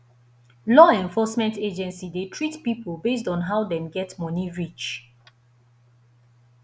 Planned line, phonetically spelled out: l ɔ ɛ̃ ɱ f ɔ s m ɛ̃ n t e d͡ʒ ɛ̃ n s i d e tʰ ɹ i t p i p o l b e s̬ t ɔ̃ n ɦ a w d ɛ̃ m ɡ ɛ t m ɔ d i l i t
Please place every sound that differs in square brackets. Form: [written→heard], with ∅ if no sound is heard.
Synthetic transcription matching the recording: l ɔ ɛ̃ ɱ f ɔ s m ɛ̃ n t e d͡ʒ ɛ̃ n s i d e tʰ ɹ i t p i p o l b e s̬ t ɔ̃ n ɦ a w d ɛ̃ m ɡ ɛ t m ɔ [d→n] i [l→ɹ] i [t→t͡ʃ]